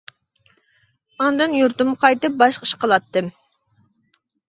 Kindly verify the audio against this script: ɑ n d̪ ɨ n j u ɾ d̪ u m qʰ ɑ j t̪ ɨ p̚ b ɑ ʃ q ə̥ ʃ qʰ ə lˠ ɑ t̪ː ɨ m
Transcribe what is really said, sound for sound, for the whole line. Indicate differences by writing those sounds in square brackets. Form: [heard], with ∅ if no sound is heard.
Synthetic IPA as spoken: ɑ n d̪ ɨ n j u ɾ [t̪] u m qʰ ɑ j t̪ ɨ p̚ b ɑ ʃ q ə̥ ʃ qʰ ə lˠ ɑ t̪ː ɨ m